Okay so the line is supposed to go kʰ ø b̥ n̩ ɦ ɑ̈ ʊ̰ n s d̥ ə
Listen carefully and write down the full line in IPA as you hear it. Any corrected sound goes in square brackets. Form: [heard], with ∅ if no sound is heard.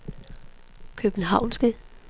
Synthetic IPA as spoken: kʰ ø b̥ n̩ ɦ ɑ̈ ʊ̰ n s [ɡ̥] ə